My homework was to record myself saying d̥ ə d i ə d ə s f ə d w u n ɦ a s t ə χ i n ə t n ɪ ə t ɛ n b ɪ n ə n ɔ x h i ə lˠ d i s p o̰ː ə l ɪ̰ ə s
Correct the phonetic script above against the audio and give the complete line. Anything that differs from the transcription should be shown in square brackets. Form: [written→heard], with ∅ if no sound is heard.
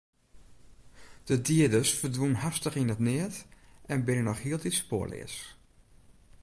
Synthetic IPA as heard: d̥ ə d i ə d ə s f ə d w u n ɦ a s t ə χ i n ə t n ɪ ə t ɛ n b ɪ n ə n ɔ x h i ə lˠ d i s p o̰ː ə l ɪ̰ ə s